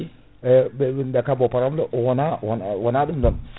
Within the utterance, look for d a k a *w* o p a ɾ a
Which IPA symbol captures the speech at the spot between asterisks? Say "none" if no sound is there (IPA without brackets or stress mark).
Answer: b